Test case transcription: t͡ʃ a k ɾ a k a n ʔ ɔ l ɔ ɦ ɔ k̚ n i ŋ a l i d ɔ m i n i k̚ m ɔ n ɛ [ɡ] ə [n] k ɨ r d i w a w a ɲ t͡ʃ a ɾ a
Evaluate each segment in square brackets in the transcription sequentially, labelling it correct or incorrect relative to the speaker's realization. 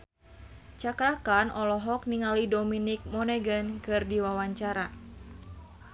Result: correct, correct

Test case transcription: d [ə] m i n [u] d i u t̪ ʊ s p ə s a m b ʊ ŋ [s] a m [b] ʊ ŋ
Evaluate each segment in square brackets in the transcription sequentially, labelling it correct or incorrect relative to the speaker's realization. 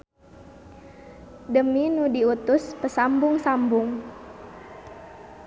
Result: correct, correct, correct, correct

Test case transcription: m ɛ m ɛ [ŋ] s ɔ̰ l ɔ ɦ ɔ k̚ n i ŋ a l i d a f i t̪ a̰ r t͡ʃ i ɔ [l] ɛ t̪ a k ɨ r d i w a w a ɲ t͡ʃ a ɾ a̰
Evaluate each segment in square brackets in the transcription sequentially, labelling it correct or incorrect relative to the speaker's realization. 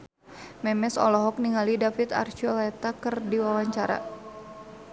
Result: incorrect, correct

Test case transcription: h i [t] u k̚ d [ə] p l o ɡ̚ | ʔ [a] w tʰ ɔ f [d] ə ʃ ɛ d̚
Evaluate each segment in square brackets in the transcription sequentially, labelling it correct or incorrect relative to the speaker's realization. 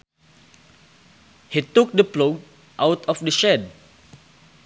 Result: correct, correct, correct, correct

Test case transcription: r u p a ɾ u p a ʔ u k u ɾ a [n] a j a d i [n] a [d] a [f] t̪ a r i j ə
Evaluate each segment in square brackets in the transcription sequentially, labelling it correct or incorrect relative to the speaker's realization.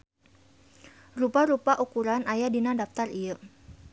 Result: correct, correct, correct, correct

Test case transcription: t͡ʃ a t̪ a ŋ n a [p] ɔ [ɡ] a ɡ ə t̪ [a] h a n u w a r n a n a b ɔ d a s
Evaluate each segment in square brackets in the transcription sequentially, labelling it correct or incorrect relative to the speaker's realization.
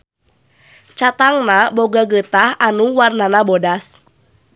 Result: incorrect, correct, correct

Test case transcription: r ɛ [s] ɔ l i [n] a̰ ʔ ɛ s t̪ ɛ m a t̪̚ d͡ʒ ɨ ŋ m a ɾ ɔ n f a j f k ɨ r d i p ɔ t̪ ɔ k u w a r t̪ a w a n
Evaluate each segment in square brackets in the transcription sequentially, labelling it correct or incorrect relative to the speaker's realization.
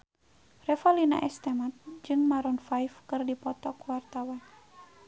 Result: incorrect, correct

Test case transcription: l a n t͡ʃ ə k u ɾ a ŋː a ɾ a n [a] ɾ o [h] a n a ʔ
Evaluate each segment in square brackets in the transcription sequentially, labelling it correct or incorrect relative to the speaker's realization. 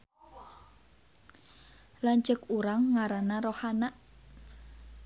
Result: correct, correct

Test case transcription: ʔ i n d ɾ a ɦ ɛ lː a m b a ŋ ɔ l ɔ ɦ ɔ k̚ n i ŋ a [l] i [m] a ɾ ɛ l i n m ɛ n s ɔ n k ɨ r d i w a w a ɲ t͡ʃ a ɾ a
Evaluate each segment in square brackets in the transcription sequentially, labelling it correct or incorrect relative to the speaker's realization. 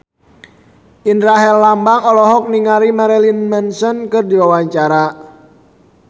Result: incorrect, correct

